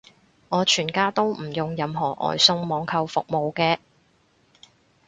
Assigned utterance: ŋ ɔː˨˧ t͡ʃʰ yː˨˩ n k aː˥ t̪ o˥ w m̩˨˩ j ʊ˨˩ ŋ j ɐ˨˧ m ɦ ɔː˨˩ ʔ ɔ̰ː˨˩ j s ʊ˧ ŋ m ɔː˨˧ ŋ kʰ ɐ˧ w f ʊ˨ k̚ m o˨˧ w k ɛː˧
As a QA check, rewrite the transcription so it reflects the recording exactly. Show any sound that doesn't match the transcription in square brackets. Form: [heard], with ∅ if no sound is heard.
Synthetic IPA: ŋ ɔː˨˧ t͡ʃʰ yː˨˩ n k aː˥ t̪ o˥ w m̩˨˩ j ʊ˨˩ ŋ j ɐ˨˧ m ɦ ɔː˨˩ ʔ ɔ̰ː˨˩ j s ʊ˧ ŋ m ɔː˨˧ ŋ kʰ ɐ˧ w f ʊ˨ k̚ m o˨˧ w k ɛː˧